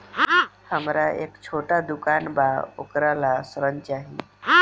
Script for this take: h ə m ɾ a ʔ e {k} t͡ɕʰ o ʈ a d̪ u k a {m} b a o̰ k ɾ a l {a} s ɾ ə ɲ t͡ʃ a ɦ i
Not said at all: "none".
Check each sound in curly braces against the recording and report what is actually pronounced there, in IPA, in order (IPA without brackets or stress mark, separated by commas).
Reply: k, n, a